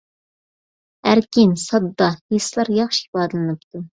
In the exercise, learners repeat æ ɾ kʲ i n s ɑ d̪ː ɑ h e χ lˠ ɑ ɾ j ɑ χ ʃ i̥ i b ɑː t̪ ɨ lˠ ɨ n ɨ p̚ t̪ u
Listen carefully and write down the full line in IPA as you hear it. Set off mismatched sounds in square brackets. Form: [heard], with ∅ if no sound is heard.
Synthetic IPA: æ ɾ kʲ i n s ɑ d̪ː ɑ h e [s] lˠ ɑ ɾ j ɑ χ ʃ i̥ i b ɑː [d̪] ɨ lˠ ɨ n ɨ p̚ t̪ u